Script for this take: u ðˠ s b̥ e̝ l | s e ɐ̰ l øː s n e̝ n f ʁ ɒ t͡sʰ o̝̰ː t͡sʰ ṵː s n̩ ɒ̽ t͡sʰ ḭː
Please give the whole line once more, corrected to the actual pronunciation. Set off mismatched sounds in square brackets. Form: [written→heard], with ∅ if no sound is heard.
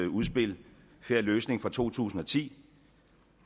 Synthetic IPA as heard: u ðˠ s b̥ e̝ l | [s→f] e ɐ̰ l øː s n e̝ [n→ŋ] f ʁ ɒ t͡sʰ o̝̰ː t͡sʰ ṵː s n̩ ɒ̽ t͡sʰ ḭː